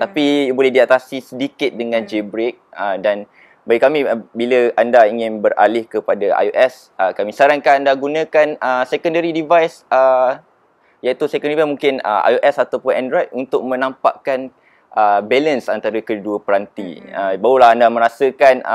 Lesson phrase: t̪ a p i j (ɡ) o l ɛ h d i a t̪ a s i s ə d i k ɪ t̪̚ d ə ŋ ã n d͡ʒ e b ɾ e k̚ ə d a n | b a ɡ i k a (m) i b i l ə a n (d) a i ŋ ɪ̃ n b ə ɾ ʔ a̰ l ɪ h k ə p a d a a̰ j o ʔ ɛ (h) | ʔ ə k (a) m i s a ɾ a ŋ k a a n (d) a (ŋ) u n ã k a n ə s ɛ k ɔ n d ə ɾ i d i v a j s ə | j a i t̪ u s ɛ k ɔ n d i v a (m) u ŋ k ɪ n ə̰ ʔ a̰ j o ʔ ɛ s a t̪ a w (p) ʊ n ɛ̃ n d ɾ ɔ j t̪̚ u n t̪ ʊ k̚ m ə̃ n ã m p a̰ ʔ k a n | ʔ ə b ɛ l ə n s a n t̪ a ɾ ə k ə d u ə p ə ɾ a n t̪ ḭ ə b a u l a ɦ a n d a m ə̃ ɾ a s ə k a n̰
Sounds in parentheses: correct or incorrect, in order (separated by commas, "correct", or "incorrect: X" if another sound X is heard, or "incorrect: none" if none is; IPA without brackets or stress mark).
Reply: incorrect: b, correct, correct, incorrect: s, correct, correct, incorrect: ɡ, correct, correct